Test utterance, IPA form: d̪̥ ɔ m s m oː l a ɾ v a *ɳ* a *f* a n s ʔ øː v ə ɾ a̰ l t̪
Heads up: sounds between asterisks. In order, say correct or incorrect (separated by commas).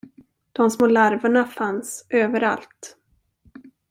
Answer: correct, correct